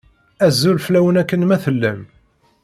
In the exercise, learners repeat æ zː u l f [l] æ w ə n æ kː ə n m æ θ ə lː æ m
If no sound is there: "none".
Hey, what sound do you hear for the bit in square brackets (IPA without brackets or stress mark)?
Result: l